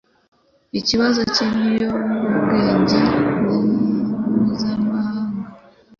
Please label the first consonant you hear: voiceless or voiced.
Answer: voiceless